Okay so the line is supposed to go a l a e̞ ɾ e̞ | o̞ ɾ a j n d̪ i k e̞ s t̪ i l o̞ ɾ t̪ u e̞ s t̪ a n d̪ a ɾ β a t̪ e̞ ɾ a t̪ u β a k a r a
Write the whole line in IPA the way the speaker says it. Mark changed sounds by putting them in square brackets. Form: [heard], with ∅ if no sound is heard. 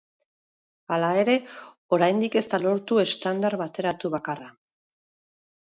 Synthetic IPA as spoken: a l a e̞ ɾ e̞ | o̞ ɾ a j n d̪ i k e̞ s t̪ [a] l o̞ ɾ t̪ u e̞ s t̪ a n d̪ a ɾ β a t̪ e̞ ɾ a t̪ u β a k a r a